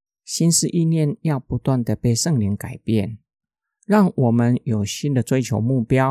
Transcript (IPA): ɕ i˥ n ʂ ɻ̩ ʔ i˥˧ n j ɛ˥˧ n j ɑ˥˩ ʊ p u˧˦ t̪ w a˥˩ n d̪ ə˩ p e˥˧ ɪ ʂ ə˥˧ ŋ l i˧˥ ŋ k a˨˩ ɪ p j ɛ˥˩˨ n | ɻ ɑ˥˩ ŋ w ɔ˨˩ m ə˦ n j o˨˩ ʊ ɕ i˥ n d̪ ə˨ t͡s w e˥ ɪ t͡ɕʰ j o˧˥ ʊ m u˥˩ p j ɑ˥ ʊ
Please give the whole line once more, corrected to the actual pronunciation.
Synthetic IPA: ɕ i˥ n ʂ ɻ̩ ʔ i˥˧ n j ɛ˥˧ n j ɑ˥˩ ʊ p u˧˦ t̪ w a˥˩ n d̪ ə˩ p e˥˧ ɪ ʂ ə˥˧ ŋ l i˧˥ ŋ k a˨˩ ɪ p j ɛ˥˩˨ n | ɻ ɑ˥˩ ŋ w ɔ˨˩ m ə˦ n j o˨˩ ʊ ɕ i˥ n d̪ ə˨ t͡s w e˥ ɪ t͡ɕʰ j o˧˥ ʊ m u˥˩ p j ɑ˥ ʊ